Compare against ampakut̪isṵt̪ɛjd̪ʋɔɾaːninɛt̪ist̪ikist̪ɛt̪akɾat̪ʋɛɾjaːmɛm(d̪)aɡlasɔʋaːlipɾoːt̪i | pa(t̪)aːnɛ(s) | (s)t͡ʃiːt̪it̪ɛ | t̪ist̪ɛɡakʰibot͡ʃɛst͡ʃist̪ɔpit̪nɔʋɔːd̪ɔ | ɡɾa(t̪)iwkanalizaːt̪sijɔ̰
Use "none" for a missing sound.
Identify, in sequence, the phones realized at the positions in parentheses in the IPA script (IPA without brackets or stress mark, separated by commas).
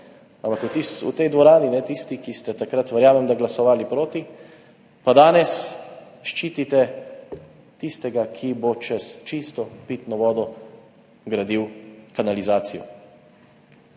d̪, d̪, s, ʃ, d̪